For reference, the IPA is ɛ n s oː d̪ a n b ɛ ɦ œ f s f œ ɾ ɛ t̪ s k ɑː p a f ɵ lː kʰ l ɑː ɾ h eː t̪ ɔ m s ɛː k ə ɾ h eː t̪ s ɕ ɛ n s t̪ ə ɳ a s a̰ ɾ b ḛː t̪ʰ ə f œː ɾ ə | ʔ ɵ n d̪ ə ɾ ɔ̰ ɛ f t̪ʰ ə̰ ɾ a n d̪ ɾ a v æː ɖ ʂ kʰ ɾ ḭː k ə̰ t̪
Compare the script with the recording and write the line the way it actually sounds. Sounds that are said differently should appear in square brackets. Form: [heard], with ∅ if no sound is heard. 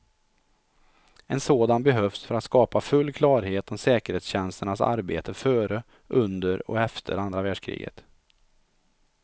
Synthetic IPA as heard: ɛ n s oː d̪ a n b ɛ ɦ œ f s f œ ɾ [a] t̪ s k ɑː p a f ɵ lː kʰ l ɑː ɾ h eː t̪ ɔ m s ɛː k ə ɾ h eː t̪ s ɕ ɛ n s t̪ ə ɳ a s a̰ ɾ b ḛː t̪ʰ ə f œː ɾ ə | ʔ ɵ n d̪ ə ɾ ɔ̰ ɛ f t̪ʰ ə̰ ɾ a n d̪ ɾ a v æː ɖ ʂ kʰ ɾ ḭː [ɡ] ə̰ t̪